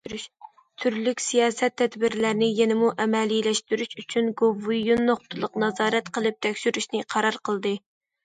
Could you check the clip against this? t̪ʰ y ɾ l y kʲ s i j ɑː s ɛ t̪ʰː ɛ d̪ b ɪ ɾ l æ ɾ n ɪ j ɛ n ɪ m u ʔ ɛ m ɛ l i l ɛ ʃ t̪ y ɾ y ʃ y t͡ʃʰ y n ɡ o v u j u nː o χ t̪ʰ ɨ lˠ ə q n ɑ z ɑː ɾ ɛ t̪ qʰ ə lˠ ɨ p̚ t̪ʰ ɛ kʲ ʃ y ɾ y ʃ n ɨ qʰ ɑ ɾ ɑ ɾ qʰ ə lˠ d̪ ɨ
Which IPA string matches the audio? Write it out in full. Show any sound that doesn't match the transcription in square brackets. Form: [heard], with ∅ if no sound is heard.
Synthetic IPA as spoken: t̪ʰ y ɾ l y kʲ s i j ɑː s ɛ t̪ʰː ɛ d̪ b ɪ ɾ l æ ɾ n ɪ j ɛ n ɪ m u ʔ ɛ m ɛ l i l ɛ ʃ t̪ y ɾ y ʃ y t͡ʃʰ y n ɡ o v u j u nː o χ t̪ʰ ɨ lˠ ə q n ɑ z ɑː ɾ ɛ t̪ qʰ ə lˠ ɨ p̚ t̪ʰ ɛ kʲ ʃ y ɾ y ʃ n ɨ qʰ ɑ ɾ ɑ ɾ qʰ ə lˠ d̪ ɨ